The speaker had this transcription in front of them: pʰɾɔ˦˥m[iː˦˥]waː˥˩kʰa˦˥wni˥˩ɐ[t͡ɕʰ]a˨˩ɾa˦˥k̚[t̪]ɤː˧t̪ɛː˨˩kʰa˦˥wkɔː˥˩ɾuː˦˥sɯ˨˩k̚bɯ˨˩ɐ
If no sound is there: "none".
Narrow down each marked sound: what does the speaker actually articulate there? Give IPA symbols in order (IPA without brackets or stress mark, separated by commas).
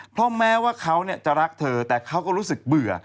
ɛː˦˥, t͡ɕ, t̪ʰ